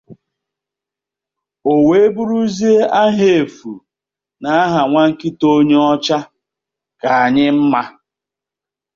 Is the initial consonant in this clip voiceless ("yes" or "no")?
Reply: no